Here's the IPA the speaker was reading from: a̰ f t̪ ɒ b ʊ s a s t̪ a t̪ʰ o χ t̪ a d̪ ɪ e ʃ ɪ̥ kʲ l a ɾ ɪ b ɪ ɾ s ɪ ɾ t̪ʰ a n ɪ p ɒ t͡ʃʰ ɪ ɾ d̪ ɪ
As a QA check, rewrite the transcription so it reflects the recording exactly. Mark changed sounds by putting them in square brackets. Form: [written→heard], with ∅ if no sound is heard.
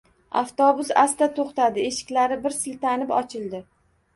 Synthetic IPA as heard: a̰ f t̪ ɒ b ʊ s a s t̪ a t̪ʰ o χ t̪ a d̪ ɪ e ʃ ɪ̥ kʲ l a ɾ ɪ b ɪ ɾ s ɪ [ɾ→l] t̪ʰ a n ɪ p ɒ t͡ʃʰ ɪ [ɾ→l] d̪ ɪ

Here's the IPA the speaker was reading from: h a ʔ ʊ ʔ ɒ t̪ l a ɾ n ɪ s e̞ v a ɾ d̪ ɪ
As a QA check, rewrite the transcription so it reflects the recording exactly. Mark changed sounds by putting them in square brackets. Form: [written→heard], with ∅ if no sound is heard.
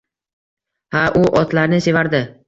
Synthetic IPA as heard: h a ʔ ʊ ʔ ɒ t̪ l a ɾ n ɪ s e̞ v a ɾ d̪ ɪ

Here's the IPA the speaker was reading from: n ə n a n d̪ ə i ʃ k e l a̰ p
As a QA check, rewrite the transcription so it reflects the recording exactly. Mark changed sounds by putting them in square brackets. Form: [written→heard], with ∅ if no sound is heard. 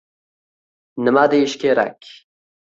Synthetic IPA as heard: n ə [n→m] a [n→∅] d̪ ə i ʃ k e [l→ɾ] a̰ [p→k]

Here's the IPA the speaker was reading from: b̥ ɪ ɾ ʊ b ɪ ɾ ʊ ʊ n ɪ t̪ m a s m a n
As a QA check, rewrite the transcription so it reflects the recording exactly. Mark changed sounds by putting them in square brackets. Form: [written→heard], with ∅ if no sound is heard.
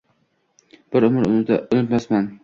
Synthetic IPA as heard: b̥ ɪ ɾ ʊ [b→m] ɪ ɾ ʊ ʊ n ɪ t̪ m a s m a n

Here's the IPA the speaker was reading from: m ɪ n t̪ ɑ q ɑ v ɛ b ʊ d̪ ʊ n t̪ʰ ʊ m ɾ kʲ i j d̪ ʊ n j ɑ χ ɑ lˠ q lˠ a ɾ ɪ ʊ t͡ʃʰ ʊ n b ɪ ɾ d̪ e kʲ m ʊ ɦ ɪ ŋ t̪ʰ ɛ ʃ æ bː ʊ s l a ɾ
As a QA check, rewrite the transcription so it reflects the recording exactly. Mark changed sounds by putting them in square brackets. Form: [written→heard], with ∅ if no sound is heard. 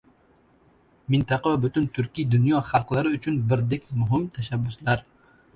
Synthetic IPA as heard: m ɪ n t̪ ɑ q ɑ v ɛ b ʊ [d̪→t̪] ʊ n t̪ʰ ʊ [m→∅] ɾ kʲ i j d̪ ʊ n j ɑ χ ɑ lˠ q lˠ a ɾ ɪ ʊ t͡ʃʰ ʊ n b ɪ ɾ d̪ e kʲ m ʊ ɦ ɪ [ŋ→m] t̪ʰ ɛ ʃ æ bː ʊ s l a ɾ

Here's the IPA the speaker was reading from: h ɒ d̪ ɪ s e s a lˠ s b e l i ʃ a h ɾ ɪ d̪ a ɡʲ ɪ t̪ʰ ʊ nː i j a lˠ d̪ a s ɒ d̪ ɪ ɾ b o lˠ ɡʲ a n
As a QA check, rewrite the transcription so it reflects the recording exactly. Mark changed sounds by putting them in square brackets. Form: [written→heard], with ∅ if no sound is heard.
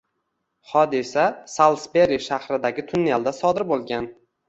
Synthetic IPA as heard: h ɒ d̪ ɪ s [e→a] s a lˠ s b e [l→ɾ] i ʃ a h ɾ ɪ d̪ a ɡʲ ɪ t̪ʰ ʊ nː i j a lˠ d̪ a s ɒ d̪ ɪ ɾ b o lˠ ɡʲ a n

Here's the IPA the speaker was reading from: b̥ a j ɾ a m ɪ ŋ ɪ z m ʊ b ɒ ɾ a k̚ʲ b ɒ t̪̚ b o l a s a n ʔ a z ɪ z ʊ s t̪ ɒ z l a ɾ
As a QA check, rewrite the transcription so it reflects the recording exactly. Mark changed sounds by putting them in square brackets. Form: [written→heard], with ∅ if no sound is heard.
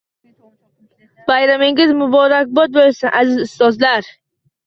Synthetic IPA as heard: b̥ a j ɾ a m ɪ ŋ ɪ z m ʊ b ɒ ɾ a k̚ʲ b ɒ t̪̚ b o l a s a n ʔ a z ɪ z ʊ s t̪ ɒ z l a ɾ

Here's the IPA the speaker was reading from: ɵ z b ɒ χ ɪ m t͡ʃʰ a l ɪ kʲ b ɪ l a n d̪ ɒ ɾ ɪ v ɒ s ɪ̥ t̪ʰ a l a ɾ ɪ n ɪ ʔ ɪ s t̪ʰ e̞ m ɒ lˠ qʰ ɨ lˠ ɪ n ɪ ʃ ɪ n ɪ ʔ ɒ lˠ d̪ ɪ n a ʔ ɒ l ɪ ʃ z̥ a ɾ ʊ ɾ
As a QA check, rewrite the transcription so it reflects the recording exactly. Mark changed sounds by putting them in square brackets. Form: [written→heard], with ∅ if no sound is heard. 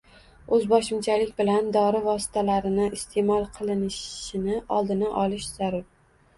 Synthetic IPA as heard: ɵ z b ɒ [χ→ʃ] ɪ m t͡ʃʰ a l ɪ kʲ b ɪ l a n d̪ ɒ ɾ ɪ v ɒ s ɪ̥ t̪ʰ a l a ɾ ɪ n ɪ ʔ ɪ s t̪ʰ e̞ m ɒ lˠ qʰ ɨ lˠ ɪ n ɪ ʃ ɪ n ɪ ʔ ɒ lˠ d̪ ɪ n a ʔ ɒ l ɪ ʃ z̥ a ɾ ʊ ɾ

